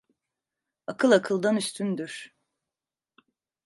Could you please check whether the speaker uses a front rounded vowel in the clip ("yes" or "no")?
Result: yes